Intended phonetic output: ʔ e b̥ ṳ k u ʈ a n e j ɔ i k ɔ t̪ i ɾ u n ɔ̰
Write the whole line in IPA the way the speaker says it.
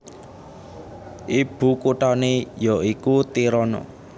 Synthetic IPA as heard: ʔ i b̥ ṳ k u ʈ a n e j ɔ i k u t̪ i ɾ ɔ n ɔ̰